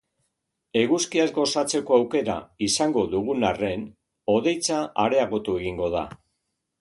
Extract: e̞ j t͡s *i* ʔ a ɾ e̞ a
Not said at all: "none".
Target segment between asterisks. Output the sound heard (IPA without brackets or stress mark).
a